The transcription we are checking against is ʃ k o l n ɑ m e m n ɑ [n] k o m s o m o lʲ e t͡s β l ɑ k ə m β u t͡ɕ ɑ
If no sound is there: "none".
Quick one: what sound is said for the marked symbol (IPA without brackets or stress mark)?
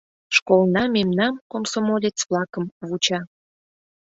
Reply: m